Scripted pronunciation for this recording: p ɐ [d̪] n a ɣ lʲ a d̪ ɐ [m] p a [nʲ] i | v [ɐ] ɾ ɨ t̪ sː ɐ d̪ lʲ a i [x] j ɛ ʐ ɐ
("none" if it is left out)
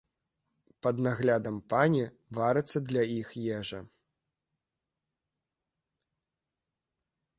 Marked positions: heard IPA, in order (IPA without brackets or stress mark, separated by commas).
d̪, m, nʲ, a, x